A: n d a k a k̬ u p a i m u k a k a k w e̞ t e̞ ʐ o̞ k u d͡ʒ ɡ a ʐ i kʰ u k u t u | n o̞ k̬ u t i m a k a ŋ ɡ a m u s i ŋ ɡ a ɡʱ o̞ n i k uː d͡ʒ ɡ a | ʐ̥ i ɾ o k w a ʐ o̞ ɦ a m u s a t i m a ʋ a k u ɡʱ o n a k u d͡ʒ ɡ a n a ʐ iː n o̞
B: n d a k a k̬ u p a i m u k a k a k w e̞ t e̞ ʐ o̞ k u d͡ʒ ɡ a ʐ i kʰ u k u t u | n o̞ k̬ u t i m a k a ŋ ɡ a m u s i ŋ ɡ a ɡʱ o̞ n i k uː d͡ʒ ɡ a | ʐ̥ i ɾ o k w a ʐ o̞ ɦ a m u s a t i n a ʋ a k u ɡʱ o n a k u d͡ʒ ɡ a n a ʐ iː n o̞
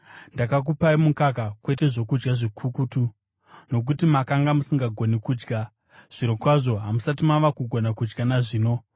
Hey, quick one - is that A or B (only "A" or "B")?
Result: A